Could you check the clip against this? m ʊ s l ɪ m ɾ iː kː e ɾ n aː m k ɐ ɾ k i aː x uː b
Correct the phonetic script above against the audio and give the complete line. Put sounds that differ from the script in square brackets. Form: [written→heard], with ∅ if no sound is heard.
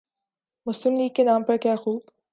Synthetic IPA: m ʊ s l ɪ m [ɾ→l] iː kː e [ɾ→∅] n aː m [k→p] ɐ ɾ k [i→j] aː x uː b